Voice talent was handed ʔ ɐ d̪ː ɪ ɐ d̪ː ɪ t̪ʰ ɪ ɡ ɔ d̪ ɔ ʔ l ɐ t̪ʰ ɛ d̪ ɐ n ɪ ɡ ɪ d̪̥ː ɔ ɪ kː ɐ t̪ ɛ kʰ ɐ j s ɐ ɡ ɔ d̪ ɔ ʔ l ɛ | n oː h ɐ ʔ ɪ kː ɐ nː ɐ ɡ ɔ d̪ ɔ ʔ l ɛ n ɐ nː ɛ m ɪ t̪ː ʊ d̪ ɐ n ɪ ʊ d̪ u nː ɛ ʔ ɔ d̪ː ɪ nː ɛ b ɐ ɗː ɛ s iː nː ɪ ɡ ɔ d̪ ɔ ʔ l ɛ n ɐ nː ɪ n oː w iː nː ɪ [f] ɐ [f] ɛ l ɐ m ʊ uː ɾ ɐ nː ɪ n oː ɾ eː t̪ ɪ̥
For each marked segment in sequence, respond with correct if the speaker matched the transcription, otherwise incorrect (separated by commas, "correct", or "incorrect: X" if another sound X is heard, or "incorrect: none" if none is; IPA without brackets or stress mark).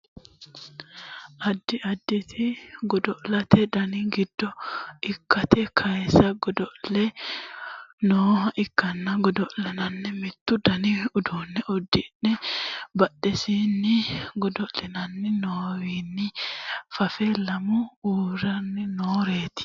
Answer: correct, correct